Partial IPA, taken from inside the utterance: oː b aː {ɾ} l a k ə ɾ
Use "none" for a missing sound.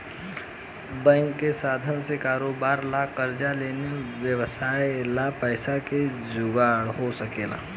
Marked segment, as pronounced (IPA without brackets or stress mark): ɾ